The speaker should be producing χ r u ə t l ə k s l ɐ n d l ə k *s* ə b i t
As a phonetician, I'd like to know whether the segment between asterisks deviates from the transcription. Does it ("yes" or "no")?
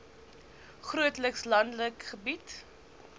yes